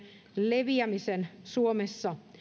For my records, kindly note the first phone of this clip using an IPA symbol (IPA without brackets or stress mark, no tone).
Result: l